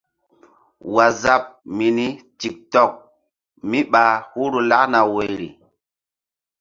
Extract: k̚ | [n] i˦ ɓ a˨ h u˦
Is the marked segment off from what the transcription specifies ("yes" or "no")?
yes